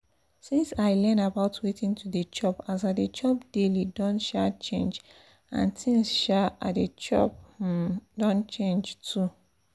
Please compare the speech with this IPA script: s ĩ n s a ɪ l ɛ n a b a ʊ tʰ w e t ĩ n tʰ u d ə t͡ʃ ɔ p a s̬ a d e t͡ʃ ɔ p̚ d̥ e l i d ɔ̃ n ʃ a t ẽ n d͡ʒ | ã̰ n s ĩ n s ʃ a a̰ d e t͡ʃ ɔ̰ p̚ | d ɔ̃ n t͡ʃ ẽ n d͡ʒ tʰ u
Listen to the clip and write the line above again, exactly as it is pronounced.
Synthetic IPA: s ĩ n s a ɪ l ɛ n a b a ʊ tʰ w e t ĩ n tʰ u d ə t͡ʃ ɔ p a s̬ a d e t͡ʃ ɔ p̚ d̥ e l i d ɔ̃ n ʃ a t͡ʃ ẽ n d͡ʒ | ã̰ n s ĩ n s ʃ a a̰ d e t͡ʃ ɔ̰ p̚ | d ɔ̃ n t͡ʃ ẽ n d͡ʒ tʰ u